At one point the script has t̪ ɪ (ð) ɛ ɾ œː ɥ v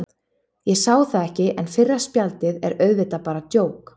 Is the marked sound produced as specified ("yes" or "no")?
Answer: yes